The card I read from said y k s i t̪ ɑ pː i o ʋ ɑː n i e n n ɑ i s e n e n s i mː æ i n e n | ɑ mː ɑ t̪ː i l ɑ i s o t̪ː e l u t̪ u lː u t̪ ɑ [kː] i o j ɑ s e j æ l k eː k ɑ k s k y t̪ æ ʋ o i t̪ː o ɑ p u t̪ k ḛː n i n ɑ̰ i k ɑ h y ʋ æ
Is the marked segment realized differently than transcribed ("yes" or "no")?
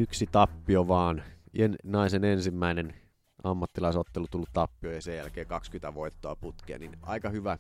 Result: yes